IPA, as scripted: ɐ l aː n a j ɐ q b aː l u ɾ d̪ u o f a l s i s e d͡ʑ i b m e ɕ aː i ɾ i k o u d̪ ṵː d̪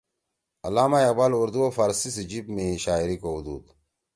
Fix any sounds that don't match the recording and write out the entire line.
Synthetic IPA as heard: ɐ l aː m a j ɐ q b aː l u ɾ d̪ u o f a ɾ s i s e d͡ʑ i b m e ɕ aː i ɾ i k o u d̪ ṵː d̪

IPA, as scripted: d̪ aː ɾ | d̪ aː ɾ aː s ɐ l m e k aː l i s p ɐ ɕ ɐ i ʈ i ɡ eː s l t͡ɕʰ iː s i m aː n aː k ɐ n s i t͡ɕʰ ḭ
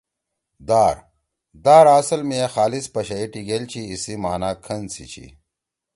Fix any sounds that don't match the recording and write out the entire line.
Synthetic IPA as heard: d̪ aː ɾ | d̪ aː ɾ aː s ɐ l m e x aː l i s p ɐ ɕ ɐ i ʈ i ɡ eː l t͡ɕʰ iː s i m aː n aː kʰ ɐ n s i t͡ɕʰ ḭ

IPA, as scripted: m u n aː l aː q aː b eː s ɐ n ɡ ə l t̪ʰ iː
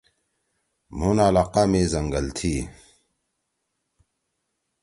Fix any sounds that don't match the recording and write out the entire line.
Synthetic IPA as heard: m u n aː l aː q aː m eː z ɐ ŋ ɡ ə l t̪ʰ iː

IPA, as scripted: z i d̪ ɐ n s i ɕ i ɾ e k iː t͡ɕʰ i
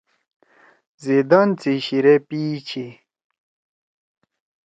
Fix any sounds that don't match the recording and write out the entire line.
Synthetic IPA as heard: z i d̪ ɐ n t͡s i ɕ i ɾ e p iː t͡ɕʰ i

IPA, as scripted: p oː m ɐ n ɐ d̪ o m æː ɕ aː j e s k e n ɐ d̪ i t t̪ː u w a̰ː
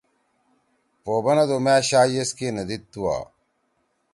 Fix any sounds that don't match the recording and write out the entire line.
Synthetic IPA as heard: p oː b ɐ n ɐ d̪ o m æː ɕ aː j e s k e n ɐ d̪ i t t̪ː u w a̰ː

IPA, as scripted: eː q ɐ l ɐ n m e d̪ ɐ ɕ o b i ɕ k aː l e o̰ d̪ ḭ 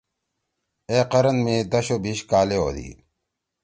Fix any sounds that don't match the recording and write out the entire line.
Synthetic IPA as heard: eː q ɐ ɾ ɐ n m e d̪ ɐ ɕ o b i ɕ k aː l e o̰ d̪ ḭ

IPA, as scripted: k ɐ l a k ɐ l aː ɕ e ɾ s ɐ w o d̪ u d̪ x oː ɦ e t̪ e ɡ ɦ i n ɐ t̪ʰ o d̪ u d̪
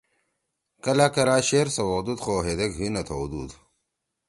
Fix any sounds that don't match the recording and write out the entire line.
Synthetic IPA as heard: k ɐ l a k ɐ ɾ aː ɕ e ɾ s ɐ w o d̪ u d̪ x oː ɦ e d̪ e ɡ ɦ i n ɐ t̪ʰ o d̪ u d̪

